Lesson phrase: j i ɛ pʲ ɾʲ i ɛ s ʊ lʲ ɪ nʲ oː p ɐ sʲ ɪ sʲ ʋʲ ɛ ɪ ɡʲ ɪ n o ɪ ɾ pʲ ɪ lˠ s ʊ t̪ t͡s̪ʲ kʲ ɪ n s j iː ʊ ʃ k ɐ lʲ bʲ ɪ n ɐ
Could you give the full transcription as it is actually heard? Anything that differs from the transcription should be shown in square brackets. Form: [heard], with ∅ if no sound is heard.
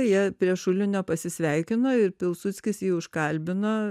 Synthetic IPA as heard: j i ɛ pʲ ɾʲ i ɛ [ʃ] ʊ lʲ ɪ nʲ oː p ɐ sʲ ɪ sʲ ʋʲ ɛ ɪ [kʲ] ɪ n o ɪ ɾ pʲ ɪ lˠ s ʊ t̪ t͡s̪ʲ kʲ ɪ [∅] s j iː ʊ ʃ k ɐ lʲ bʲ ɪ n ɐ